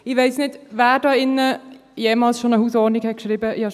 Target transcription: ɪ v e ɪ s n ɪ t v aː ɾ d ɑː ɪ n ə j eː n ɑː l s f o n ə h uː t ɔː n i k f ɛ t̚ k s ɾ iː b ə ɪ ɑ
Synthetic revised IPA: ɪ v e ɪ s n ɪ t v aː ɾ d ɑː ɪ n ə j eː m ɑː l s ʃ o n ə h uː s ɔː n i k h ɛ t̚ k ʃ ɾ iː b ə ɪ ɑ